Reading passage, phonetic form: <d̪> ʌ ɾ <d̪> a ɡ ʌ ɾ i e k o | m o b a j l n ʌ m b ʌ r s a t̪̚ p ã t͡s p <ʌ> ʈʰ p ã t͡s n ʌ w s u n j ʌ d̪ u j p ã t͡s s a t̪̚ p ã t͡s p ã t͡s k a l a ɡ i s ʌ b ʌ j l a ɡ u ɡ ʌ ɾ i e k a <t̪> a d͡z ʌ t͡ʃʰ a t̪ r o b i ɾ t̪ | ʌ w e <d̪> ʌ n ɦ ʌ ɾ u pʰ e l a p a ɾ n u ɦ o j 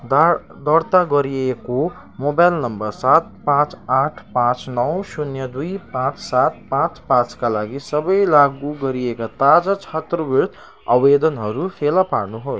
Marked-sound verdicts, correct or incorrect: correct, incorrect: t̪, incorrect: a, correct, correct

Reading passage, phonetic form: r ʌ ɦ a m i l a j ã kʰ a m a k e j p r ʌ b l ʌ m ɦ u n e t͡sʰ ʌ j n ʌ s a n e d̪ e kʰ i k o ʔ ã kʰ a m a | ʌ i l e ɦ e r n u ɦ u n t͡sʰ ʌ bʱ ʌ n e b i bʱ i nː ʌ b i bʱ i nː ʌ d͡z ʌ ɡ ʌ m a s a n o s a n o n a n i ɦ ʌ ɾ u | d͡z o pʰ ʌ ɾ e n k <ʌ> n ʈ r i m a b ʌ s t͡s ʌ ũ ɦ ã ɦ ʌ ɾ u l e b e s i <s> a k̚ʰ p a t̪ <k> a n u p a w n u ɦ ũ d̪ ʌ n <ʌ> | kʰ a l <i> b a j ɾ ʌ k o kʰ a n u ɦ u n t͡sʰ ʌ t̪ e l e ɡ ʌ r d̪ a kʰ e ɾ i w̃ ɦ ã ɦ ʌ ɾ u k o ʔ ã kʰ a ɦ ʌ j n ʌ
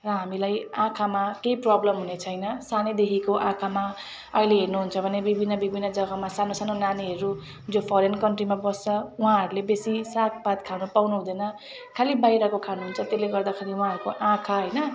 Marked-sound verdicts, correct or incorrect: correct, correct, incorrect: kʰ, correct, correct

